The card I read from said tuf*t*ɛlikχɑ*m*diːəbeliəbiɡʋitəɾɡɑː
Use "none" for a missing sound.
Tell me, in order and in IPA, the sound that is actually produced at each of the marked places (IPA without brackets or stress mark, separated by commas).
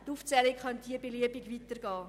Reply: t͡s, n